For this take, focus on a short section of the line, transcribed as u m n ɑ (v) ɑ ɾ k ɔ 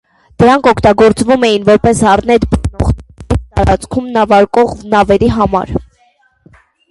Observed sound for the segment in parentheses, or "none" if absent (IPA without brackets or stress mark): v